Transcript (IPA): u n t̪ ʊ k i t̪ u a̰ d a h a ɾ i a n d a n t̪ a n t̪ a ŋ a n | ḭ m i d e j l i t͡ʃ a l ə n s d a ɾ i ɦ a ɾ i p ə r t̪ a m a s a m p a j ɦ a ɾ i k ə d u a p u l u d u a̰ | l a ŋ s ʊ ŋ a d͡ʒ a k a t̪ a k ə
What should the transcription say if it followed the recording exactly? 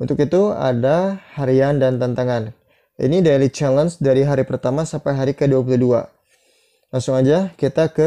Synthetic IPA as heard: u n t̪ ʊ k i t̪ u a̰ d a h a ɾ i a n d a n t̪ a n t̪ a ŋ a n | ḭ n i d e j l i t͡ʃ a l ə n s d a ɾ i ɦ a ɾ i p ə r t̪ a m a s a m p a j ɦ a ɾ i k ə d u a p u l u d u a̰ | l a ŋ s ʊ ŋ a d͡ʒ a k i t̪ a k ə